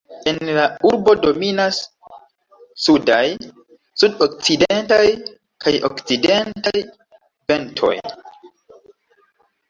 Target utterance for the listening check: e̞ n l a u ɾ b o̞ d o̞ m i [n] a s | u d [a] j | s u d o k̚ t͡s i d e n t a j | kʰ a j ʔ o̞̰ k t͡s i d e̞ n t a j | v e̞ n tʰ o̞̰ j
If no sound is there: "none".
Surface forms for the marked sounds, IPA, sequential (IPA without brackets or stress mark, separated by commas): n, a